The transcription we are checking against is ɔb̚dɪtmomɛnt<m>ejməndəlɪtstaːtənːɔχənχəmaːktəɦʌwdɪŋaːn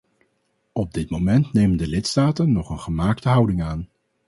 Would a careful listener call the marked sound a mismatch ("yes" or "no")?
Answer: yes